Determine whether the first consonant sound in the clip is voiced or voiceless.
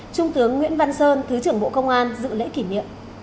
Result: voiceless